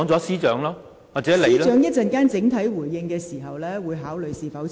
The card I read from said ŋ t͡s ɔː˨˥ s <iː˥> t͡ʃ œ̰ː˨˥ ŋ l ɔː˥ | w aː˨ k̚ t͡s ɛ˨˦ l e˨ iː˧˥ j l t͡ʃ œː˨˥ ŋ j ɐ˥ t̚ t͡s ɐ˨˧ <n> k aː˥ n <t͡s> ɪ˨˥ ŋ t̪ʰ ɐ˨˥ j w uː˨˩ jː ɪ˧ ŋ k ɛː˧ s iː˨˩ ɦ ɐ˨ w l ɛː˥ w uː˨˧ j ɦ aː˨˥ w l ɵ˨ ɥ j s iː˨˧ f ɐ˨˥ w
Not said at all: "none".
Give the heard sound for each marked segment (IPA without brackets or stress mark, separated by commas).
iː˥, n, t͡s